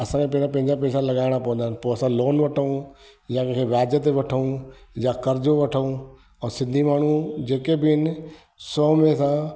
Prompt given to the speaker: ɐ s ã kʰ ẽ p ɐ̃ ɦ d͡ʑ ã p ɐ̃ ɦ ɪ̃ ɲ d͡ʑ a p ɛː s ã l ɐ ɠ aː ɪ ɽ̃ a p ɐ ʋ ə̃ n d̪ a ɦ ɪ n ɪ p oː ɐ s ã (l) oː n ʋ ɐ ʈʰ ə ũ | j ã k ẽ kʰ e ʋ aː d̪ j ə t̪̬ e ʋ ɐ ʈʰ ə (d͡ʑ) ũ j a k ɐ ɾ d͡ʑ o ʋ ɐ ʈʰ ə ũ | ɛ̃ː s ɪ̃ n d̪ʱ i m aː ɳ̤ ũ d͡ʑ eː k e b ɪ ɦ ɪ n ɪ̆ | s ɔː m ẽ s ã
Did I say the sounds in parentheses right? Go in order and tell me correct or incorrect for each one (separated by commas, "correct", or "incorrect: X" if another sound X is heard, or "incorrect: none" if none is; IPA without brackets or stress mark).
correct, incorrect: none